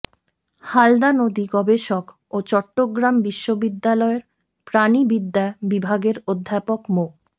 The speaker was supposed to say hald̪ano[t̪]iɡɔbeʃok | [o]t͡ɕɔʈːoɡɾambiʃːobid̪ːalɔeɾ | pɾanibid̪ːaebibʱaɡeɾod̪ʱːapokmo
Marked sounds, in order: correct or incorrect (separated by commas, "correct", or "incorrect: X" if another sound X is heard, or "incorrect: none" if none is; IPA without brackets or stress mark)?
incorrect: d̪, correct